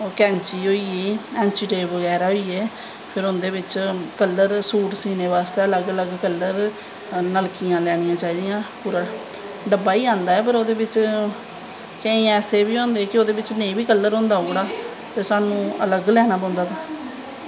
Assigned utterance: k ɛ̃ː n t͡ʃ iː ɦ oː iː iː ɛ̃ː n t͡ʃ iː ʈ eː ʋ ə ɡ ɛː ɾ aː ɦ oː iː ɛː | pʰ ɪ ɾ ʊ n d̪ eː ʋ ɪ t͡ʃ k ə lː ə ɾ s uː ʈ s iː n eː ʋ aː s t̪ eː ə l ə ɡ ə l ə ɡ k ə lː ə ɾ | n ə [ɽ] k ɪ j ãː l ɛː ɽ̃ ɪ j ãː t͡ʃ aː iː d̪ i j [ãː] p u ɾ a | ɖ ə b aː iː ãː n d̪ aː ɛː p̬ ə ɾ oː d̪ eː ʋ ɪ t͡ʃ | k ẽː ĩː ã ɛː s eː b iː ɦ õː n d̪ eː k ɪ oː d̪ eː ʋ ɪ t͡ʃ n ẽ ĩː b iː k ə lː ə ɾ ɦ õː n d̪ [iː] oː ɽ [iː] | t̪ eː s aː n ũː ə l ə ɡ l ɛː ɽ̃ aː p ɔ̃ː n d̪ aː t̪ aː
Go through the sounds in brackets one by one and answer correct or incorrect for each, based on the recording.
incorrect, correct, incorrect, incorrect

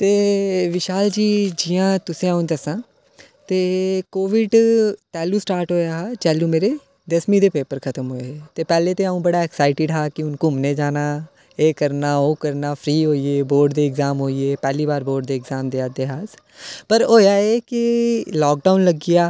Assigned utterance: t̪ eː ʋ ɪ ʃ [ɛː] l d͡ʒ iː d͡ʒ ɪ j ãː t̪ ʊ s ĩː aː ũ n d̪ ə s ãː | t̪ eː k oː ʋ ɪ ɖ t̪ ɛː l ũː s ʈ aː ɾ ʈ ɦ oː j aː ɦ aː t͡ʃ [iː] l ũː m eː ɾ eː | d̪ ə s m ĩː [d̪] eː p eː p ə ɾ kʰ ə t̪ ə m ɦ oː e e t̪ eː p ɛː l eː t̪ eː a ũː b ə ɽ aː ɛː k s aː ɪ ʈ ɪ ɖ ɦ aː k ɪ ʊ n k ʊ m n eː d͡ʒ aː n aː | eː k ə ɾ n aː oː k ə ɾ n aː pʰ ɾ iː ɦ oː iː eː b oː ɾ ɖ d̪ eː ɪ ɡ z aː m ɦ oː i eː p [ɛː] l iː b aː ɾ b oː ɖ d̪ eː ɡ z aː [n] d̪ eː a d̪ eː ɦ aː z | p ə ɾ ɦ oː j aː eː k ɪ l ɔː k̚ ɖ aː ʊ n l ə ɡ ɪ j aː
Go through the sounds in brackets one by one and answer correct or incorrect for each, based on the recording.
incorrect, incorrect, correct, correct, incorrect

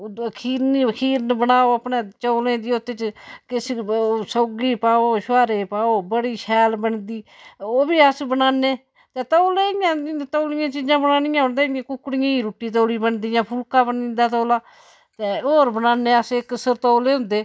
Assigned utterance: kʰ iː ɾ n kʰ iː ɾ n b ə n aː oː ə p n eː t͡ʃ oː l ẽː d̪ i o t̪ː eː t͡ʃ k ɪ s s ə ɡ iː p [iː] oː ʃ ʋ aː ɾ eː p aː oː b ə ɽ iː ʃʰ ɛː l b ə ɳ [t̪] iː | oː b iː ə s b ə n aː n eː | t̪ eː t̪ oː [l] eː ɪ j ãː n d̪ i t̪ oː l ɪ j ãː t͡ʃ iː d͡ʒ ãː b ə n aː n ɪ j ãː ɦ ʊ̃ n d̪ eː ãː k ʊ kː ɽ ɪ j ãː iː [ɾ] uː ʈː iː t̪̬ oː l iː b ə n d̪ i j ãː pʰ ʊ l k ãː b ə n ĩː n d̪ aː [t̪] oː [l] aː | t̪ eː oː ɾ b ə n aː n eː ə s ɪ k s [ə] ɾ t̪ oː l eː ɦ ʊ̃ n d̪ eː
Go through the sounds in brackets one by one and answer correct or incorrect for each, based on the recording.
incorrect, incorrect, correct, correct, correct, correct, correct

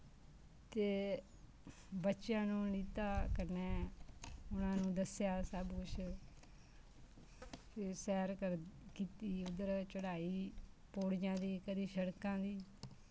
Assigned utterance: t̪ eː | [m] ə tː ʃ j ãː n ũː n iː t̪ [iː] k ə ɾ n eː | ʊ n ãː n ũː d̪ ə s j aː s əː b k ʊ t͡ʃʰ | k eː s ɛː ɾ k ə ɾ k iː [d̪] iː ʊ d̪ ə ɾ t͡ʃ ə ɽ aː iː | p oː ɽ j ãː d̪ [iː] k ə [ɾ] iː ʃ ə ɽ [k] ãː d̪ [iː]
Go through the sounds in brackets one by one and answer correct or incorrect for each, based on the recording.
incorrect, incorrect, incorrect, correct, correct, correct, correct

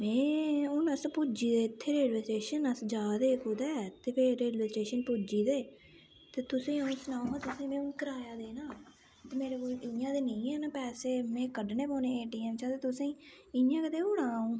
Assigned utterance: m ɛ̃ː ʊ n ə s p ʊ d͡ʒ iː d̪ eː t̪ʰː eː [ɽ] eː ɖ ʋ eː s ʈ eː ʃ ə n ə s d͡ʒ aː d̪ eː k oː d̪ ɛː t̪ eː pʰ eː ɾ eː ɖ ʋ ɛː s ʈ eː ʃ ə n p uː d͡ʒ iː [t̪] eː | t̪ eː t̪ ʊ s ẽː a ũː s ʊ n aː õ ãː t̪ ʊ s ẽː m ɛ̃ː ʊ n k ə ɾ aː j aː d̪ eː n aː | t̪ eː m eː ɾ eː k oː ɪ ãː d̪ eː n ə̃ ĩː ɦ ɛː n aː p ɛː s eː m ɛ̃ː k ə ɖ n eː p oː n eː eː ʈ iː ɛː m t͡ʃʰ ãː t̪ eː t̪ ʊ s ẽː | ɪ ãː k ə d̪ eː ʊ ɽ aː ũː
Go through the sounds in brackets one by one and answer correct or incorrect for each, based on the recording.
incorrect, incorrect

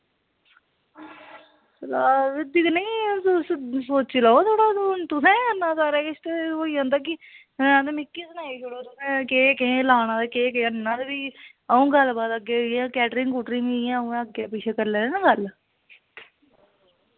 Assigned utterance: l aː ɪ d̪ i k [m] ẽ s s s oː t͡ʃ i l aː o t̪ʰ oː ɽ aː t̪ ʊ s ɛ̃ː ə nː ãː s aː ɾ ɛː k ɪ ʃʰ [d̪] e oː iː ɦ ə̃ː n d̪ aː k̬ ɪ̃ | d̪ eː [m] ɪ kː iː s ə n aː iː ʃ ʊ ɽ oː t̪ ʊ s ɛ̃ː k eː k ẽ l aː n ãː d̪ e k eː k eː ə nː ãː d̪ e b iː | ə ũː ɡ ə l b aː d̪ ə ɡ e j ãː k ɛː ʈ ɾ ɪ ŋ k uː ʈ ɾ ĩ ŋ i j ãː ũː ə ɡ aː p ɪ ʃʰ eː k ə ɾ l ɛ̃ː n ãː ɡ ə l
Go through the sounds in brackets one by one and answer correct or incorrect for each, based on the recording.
incorrect, incorrect, correct

